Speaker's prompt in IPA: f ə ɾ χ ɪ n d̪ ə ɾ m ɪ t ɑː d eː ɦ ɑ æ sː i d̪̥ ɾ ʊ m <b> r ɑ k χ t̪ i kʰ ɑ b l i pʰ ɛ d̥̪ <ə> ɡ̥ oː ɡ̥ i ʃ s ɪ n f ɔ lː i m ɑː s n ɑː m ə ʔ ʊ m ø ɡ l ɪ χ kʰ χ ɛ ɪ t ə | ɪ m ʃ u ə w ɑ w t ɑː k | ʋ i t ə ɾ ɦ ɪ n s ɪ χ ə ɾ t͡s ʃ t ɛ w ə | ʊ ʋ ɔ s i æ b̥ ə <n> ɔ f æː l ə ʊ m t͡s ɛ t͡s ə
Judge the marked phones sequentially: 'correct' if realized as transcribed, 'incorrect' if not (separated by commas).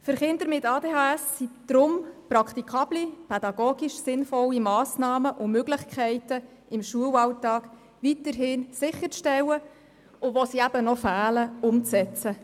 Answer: incorrect, incorrect, correct